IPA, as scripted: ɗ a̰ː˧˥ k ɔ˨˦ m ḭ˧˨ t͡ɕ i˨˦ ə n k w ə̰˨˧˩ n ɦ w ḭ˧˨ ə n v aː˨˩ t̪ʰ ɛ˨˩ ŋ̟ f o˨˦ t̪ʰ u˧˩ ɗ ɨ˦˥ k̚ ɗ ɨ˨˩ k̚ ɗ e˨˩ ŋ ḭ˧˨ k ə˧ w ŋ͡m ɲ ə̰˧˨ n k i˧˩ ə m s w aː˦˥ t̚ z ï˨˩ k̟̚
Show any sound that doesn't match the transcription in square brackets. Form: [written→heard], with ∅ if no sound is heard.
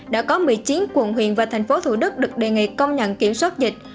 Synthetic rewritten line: ɗ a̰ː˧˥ k ɔ˨˦ m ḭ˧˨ t͡ɕ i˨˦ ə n k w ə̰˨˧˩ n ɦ w ḭ˧˨ ə n v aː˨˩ t̪ʰ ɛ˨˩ ŋ̟ f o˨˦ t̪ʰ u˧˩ ɗ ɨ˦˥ k̚ ɗ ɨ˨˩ k̚ ɗ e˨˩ ŋ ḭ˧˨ k ə˧ w ŋ͡m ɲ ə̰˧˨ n k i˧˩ ə m s w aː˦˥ t̚ z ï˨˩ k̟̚